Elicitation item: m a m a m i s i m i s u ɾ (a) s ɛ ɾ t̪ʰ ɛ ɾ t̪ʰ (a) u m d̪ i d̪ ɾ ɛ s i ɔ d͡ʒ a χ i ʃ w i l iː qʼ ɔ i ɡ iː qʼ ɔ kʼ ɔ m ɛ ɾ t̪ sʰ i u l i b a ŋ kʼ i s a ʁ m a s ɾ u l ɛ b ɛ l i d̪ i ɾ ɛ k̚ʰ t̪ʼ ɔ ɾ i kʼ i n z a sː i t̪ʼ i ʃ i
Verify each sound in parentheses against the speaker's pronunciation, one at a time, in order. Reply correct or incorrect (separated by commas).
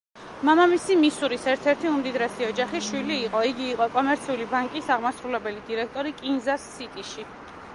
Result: incorrect, incorrect